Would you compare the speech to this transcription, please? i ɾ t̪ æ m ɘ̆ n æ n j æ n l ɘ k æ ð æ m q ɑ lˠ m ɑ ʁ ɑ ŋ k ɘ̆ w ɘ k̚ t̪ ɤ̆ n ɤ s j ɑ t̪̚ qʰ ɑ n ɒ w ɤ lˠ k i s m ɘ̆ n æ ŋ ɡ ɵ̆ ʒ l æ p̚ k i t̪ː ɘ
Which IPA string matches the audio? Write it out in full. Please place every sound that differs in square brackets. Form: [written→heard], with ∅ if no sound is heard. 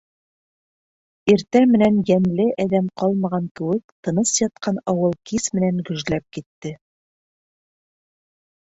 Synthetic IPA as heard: i ɾ t̪ æ m ɘ̆ n æ n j æ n l ɘ [k→ʔ] æ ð æ m q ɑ lˠ m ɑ ʁ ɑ ŋ k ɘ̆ w ɘ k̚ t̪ ɤ̆ n ɤ s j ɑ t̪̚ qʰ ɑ n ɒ w ɤ lˠ k i s m ɘ̆ n æ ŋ ɡ ɵ̆ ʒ l æ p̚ k i t̪ː ɘ